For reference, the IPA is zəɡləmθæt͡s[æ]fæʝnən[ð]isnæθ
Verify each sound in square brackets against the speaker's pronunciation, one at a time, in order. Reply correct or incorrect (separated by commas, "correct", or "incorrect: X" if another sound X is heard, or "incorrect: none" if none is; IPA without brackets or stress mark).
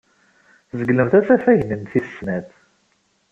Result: correct, incorrect: θ